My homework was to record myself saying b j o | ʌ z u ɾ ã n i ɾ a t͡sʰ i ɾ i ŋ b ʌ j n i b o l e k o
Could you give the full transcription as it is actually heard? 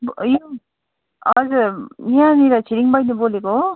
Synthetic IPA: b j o | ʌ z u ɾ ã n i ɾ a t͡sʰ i ɾ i ŋ b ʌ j n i b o l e k o